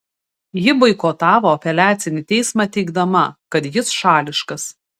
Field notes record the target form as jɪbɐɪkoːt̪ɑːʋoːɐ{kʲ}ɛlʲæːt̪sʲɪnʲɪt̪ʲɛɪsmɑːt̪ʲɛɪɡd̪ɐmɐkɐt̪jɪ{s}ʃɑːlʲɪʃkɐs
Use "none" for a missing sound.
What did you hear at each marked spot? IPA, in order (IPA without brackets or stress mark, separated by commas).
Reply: pʲ, s